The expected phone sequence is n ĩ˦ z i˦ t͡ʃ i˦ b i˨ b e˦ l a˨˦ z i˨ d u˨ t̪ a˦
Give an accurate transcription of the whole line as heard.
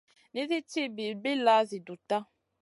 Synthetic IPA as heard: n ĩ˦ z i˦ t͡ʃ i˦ b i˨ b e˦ l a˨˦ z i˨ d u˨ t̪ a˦